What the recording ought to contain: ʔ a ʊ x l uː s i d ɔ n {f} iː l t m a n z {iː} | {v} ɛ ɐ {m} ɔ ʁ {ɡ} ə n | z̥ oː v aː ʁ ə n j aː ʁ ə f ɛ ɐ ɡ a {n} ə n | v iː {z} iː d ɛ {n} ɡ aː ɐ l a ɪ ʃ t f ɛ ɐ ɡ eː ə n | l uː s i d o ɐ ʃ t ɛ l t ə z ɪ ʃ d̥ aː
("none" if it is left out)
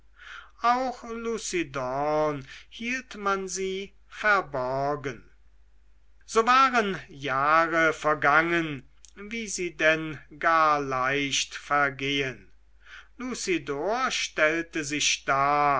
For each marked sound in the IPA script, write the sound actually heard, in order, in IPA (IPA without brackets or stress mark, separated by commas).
h, iː, f, b, ɡ, ŋ, z, n